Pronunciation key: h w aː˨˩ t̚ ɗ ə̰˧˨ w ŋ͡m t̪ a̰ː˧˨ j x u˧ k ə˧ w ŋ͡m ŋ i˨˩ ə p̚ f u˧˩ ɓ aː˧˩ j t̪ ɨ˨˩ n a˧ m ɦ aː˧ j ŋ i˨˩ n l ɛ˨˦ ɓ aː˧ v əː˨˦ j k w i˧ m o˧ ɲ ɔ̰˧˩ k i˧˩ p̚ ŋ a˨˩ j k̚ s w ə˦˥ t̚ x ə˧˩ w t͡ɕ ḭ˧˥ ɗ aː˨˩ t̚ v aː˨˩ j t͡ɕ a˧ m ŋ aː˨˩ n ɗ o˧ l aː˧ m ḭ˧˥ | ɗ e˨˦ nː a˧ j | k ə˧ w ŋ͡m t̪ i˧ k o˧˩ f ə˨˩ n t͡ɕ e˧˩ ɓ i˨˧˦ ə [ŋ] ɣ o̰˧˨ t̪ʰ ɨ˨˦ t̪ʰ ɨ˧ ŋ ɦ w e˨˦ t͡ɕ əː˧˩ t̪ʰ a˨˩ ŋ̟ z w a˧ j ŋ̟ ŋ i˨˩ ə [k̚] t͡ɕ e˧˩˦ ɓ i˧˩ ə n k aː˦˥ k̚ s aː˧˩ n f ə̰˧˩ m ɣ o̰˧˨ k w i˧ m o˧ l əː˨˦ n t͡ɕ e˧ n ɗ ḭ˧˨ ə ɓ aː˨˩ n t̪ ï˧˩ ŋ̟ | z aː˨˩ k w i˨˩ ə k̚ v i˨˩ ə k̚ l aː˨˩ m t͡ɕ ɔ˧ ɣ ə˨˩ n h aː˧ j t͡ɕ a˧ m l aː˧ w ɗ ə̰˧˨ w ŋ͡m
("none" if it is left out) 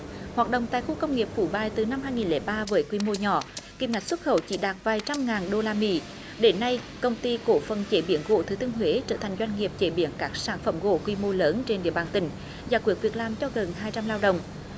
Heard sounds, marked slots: n, p̚

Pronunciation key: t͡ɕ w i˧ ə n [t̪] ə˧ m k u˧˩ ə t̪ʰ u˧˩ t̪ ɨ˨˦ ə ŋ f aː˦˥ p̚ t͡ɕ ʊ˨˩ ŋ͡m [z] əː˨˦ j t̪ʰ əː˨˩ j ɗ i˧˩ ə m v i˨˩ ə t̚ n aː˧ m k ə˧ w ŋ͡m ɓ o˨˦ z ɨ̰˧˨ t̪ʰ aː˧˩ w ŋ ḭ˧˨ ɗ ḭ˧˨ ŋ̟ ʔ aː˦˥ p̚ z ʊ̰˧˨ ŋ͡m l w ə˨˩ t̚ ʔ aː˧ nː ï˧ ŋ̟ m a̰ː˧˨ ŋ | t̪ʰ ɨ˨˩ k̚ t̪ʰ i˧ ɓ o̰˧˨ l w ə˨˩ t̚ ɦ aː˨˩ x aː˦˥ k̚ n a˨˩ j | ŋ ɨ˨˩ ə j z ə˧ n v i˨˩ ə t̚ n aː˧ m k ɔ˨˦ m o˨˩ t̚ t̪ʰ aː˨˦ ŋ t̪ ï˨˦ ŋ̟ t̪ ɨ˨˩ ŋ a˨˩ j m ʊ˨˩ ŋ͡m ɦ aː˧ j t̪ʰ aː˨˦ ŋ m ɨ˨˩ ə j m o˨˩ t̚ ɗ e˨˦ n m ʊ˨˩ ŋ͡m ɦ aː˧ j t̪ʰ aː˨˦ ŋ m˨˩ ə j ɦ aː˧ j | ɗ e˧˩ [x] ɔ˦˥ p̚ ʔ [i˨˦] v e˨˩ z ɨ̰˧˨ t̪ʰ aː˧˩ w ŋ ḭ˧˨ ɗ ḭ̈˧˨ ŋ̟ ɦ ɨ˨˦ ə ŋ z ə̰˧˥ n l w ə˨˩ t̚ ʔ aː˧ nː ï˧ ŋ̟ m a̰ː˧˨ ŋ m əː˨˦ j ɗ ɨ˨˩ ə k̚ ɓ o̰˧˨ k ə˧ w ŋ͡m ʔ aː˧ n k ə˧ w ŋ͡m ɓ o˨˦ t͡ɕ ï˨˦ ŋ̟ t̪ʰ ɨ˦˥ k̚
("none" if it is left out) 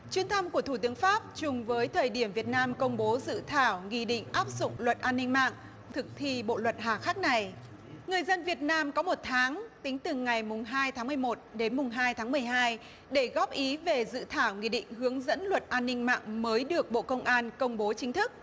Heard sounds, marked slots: t̪ʰ, v, ɣ, i˨˦

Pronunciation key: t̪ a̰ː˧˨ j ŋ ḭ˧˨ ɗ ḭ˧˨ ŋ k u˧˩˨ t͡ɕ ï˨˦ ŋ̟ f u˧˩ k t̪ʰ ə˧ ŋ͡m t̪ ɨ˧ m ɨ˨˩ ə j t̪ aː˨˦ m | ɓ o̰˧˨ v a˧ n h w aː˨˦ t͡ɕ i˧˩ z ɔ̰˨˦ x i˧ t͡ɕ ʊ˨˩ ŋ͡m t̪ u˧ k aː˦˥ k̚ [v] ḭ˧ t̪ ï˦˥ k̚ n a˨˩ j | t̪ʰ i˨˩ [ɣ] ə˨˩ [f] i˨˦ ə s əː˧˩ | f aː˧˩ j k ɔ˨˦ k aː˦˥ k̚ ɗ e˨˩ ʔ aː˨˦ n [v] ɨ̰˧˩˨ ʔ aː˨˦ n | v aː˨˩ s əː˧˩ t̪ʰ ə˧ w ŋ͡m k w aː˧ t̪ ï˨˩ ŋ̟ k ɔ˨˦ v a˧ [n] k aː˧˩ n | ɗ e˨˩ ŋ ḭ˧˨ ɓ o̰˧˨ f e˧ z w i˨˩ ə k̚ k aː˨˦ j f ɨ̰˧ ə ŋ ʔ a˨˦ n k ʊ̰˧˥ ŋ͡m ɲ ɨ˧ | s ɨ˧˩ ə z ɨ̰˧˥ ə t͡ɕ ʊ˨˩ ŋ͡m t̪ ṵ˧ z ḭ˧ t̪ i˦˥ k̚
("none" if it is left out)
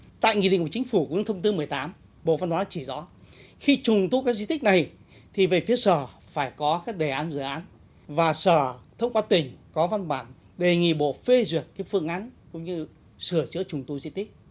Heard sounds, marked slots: z, v, f, z, n

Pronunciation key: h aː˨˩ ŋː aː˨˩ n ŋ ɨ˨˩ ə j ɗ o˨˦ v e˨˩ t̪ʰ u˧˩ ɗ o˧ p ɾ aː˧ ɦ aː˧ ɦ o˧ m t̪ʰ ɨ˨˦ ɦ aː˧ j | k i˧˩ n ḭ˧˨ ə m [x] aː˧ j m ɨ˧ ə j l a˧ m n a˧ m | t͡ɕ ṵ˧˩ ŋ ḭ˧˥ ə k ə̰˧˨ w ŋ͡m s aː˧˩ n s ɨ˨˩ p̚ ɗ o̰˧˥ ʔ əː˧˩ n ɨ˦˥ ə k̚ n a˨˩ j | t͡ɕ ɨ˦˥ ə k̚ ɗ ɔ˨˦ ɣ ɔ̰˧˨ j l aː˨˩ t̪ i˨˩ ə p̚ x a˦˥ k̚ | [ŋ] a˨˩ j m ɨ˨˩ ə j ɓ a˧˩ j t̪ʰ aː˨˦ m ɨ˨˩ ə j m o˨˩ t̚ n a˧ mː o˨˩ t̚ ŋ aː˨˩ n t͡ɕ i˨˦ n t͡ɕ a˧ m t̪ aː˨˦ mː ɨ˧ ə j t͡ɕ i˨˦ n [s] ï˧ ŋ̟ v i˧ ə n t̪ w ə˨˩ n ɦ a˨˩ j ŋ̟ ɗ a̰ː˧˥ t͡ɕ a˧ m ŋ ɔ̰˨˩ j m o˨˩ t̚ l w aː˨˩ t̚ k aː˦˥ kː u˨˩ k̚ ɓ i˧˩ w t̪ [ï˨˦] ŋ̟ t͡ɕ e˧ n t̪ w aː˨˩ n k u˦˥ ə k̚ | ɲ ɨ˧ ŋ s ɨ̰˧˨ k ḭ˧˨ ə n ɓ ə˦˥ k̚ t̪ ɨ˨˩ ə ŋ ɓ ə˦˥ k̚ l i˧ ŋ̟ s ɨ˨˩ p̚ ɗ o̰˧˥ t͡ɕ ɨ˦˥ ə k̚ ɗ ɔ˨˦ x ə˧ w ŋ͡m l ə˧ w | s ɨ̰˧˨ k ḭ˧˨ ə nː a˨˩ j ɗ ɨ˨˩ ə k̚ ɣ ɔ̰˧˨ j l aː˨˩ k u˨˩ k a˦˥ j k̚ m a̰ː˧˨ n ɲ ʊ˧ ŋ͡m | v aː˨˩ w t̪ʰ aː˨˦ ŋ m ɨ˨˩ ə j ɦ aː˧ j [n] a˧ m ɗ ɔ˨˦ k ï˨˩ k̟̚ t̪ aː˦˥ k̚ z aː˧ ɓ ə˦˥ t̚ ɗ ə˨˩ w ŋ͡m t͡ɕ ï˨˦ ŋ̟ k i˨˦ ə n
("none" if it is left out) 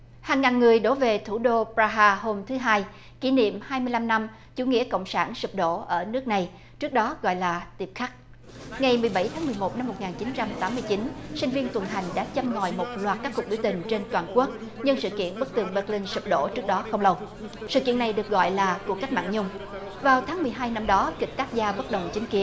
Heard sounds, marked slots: h, ŋ, s, ï˨˩, n

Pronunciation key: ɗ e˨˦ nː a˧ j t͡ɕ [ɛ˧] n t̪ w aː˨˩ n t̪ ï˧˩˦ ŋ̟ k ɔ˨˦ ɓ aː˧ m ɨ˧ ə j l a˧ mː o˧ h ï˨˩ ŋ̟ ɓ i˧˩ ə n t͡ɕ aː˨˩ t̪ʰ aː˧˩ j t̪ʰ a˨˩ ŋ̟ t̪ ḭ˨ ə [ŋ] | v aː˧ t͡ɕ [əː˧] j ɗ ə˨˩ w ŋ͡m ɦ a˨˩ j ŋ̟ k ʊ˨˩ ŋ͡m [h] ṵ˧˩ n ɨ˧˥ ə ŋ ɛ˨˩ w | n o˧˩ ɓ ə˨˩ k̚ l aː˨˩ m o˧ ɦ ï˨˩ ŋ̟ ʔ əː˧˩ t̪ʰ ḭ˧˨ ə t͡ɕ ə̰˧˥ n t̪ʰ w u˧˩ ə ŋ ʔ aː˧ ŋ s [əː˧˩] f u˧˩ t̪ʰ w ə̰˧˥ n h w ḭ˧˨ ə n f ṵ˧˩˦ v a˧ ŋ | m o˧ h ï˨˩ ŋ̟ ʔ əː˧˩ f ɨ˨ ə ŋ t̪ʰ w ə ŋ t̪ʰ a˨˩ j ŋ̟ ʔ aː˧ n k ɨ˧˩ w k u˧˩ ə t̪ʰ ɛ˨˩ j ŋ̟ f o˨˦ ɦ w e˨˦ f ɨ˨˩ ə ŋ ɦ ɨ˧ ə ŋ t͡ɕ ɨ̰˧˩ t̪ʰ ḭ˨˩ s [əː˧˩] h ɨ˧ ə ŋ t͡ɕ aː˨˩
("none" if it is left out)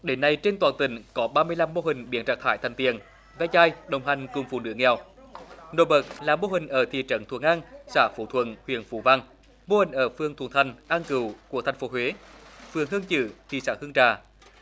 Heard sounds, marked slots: e˧, n, aː˧, f, aː˧˩, aː˧˩

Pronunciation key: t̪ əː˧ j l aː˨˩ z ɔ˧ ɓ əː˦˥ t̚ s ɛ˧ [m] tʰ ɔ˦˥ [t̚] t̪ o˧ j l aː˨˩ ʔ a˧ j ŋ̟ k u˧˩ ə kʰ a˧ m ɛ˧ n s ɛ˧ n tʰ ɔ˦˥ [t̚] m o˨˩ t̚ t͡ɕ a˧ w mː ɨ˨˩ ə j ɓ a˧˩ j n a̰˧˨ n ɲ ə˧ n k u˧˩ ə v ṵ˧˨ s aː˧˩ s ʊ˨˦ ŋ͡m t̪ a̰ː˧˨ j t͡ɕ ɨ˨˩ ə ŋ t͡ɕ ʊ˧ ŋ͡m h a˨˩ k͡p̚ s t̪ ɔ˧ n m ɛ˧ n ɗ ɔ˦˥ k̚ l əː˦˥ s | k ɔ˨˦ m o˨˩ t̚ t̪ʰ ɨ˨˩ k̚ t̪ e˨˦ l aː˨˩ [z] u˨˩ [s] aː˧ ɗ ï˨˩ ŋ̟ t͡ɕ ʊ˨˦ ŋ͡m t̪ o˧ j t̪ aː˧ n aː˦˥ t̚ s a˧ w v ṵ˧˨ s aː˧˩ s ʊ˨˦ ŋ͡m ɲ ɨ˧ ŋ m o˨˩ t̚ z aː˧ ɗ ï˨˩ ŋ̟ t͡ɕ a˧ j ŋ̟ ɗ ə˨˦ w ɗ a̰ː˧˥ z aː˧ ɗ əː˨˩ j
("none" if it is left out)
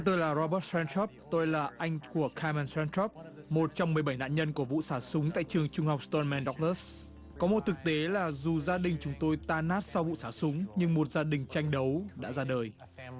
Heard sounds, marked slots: n, p̚, p̚, z, z

